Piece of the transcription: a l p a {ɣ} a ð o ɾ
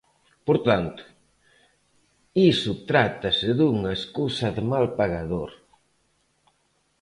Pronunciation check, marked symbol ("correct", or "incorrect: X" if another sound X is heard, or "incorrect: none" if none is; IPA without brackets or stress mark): correct